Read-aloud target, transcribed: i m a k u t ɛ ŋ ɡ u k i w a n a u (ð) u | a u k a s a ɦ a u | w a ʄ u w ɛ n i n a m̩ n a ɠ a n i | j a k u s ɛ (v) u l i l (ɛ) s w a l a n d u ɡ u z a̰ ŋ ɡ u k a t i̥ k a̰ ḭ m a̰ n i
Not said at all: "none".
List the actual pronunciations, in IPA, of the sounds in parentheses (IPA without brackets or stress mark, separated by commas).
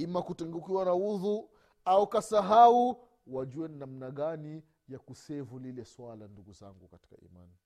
ð, v, ɛ